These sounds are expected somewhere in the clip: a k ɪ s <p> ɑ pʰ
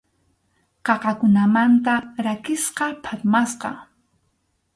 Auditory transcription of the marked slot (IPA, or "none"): q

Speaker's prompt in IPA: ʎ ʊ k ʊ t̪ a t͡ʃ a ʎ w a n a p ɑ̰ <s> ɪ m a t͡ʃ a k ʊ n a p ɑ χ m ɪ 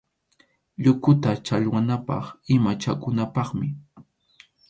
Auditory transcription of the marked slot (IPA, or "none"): χ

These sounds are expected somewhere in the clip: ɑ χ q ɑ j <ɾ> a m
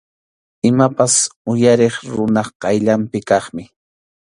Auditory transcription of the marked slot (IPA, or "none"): ʎ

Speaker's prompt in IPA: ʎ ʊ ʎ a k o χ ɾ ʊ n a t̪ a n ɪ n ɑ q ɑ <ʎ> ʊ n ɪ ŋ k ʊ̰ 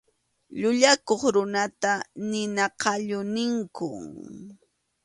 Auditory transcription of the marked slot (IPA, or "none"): ʎ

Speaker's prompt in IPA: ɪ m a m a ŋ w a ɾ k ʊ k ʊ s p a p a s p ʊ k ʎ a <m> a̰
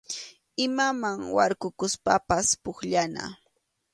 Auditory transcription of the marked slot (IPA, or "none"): n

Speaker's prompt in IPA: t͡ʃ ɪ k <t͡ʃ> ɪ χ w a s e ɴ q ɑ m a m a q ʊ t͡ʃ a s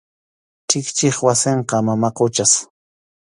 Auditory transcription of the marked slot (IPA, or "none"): t͡ʃ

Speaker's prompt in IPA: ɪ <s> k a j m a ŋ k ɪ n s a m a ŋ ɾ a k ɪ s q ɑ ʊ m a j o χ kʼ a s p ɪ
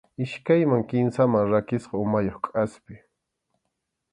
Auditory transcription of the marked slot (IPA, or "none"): ʃ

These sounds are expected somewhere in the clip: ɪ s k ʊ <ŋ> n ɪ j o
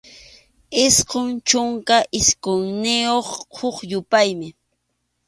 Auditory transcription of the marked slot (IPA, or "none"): ŋ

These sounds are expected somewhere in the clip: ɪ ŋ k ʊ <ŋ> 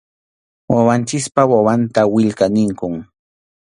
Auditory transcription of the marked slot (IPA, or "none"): ŋ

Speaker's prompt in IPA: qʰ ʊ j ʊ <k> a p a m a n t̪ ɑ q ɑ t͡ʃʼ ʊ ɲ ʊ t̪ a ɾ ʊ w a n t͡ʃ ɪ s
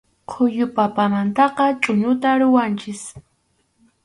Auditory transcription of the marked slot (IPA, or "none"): p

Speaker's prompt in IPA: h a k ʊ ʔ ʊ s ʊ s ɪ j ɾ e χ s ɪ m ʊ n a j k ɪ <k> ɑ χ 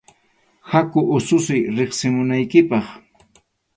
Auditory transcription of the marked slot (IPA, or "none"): p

